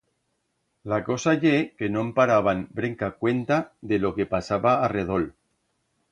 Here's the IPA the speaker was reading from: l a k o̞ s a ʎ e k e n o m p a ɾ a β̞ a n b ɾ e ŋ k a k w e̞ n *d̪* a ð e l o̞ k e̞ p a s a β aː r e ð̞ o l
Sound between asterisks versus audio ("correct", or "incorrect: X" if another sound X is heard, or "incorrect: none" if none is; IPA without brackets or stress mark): incorrect: t̪